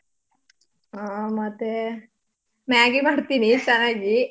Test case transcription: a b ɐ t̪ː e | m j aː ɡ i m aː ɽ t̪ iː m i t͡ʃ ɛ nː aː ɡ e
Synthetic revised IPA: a m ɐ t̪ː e | m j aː ɡ i m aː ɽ t̪ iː n i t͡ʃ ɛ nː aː ɡ i